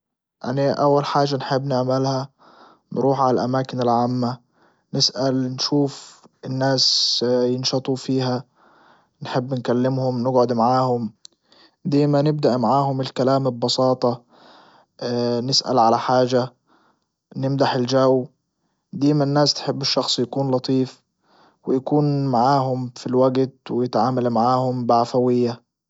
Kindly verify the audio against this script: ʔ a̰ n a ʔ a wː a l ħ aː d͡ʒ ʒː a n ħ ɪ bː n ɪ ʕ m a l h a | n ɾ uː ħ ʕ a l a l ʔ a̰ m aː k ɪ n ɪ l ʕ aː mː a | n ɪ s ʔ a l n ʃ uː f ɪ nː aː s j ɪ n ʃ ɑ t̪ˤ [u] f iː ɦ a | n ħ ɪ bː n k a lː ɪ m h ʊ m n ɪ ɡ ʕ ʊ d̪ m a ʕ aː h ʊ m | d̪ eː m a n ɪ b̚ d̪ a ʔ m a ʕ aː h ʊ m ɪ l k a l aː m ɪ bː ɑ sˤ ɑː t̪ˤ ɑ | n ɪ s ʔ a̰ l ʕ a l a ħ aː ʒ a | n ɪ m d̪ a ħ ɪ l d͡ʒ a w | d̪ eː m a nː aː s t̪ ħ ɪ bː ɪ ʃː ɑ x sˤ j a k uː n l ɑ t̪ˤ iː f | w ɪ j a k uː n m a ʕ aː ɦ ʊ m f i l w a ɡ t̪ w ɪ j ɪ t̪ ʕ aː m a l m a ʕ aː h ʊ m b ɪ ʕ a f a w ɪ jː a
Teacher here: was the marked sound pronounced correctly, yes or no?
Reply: yes